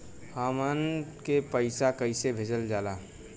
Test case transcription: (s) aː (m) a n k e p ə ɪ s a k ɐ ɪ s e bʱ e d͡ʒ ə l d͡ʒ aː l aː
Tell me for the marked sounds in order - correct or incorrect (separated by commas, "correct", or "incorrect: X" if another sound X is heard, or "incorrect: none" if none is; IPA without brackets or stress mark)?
incorrect: h, correct